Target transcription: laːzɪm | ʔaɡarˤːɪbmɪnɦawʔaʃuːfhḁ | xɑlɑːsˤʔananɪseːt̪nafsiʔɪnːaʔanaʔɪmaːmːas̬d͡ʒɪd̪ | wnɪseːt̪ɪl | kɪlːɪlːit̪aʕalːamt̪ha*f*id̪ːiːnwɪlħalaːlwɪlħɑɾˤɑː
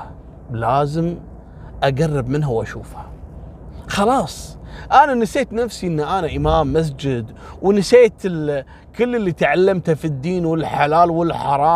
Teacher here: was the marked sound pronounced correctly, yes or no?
yes